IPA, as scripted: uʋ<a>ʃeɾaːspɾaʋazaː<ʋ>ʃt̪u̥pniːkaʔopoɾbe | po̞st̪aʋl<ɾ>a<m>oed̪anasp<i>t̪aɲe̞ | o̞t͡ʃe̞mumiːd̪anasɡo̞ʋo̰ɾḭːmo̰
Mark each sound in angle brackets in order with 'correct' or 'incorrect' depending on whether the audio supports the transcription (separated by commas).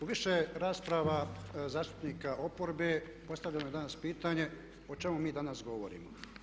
incorrect, incorrect, incorrect, incorrect, incorrect